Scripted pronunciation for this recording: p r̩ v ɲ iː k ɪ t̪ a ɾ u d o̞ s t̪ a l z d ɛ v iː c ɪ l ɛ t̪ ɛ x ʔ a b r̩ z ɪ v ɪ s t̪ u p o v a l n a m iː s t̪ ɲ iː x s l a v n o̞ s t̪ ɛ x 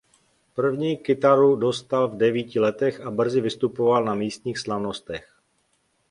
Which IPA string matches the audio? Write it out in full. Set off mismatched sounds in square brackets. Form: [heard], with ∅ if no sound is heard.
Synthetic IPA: p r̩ v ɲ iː k ɪ t̪ a ɾ u d o̞ s t̪ a l [v] d ɛ v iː c ɪ l ɛ t̪ ɛ x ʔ a b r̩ z ɪ v ɪ s t̪ u p o v a l n a m iː s t̪ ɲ iː x s l a v n o̞ s t̪ ɛ x

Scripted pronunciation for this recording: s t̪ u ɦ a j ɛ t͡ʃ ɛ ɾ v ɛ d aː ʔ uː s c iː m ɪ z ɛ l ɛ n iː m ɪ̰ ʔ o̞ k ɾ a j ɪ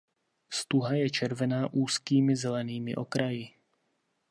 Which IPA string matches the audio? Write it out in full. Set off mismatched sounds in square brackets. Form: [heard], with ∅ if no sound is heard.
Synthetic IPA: s t̪ u ɦ a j ɛ t͡ʃ ɛ ɾ v ɛ [n] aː ʔ uː s [k] iː m ɪ z ɛ l ɛ n iː m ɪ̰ ʔ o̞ k ɾ a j ɪ

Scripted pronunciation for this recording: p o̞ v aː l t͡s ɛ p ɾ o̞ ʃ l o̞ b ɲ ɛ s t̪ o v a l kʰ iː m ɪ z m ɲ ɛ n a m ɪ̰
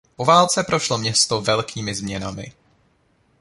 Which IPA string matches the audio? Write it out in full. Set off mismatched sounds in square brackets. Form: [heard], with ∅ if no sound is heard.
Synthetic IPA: p o̞ v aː l t͡s ɛ p ɾ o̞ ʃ l o̞ [m] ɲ ɛ s t̪ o v [ɛ] l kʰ iː m ɪ z m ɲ ɛ n a m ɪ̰

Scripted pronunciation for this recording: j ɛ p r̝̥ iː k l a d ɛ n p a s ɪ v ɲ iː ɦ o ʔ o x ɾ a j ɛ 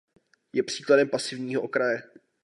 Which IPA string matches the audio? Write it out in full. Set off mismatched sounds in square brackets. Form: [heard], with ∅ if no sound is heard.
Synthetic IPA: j ɛ p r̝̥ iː k l a d ɛ [m] p a s ɪ v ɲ iː ɦ o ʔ o [k] ɾ a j ɛ

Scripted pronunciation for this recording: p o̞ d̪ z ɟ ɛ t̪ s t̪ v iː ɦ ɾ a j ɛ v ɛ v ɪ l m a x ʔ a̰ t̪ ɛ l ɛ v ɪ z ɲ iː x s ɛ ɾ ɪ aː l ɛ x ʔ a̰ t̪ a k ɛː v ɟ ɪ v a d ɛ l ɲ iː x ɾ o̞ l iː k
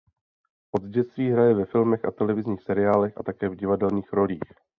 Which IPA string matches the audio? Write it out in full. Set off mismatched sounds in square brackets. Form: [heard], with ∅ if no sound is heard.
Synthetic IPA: [ʔ] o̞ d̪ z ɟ ɛ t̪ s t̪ v iː ɦ ɾ a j ɛ v ɛ [f] ɪ l m [ɛ] x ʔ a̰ t̪ ɛ l ɛ v ɪ z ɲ iː x s ɛ ɾ ɪ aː l ɛ x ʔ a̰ t̪ a k ɛː v ɟ ɪ v a d ɛ l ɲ iː x ɾ o̞ l iː [x]

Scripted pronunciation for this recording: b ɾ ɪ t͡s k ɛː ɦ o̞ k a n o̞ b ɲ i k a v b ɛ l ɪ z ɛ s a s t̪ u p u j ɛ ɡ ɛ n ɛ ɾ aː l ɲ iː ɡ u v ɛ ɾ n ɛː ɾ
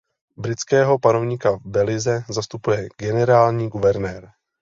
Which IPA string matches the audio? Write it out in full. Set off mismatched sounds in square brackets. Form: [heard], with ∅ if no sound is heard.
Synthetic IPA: b ɾ ɪ t͡s k ɛː ɦ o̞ [p] a n o̞ [v] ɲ i k a v b ɛ l ɪ z ɛ [z] a s t̪ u p u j ɛ ɡ ɛ n ɛ ɾ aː l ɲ iː ɡ u v ɛ ɾ n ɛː ɾ

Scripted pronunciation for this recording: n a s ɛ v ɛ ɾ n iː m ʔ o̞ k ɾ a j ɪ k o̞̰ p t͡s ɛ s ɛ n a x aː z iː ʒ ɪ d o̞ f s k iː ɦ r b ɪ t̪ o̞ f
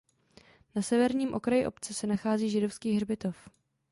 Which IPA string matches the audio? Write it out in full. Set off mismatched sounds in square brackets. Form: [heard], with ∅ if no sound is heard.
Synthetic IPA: n a s ɛ v ɛ ɾ [ɲ] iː m ʔ o̞ k ɾ a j ɪ [ʔ] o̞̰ p t͡s ɛ s ɛ n a x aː z iː ʒ ɪ d o̞ f s k iː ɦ r b ɪ t̪ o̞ f

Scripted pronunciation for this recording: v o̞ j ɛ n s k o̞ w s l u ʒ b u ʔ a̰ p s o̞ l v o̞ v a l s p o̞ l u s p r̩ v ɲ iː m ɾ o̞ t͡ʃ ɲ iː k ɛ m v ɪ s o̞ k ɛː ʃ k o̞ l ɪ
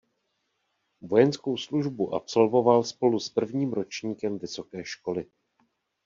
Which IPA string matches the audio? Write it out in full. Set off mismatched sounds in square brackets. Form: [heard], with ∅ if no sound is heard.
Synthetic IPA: v o̞ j ɛ n s k o̞ w s l u ʒ b u ʔ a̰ p s o̞ l v o̞ v a l s p o̞ l u s p r̩ v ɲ iː m ɾ o̞ t͡ʃ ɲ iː k ɛ m v ɪ s o̞ k ɛː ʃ k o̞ l ɪ

